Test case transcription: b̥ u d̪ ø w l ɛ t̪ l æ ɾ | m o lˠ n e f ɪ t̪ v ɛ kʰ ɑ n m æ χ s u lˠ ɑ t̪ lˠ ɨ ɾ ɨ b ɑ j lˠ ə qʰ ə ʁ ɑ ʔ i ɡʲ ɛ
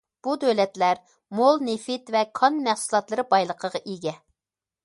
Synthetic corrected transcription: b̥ u d̪ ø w l ɛ t̪ l æ ɾ | m o lˠ n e f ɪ t̪ v ɛ kʰ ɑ n m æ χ s u lˠ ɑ t̪ lˠ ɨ ɾ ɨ b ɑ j lˠ ə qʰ ə ʁ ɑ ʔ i ɡʲ ɛ